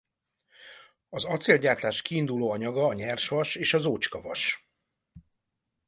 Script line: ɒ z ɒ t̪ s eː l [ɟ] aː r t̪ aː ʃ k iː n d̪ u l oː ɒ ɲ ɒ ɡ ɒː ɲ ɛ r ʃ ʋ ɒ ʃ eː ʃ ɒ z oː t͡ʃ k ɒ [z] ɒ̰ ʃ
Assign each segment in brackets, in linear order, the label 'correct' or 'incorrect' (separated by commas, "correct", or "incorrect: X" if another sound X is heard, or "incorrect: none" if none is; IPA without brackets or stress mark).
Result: correct, incorrect: v